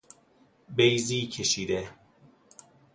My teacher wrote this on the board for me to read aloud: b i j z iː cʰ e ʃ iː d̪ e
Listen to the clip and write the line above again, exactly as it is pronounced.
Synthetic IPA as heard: b e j z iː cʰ e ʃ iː d̪ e